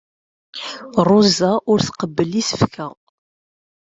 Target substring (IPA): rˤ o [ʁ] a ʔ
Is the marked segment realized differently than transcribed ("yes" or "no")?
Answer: yes